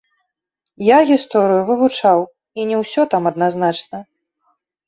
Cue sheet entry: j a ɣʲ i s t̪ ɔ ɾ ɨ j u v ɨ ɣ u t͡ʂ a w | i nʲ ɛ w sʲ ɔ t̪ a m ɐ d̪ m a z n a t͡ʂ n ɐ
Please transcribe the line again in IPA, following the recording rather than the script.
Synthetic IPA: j a ɣʲ i s t̪ ɔ ɾ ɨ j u v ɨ v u t͡ʂ a w | i nʲ ɛ w sʲ ɔ t̪ a m ɐ d̪ n a z n a t͡ʂ n ɐ